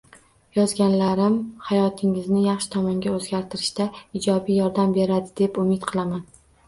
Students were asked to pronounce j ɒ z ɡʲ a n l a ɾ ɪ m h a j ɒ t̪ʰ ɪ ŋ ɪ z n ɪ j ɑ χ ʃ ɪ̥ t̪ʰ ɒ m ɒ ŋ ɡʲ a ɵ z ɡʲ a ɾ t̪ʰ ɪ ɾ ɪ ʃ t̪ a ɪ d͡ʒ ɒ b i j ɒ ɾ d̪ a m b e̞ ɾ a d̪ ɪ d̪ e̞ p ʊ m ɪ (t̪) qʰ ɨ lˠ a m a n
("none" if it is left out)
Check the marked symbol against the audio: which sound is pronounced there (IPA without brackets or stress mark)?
t̪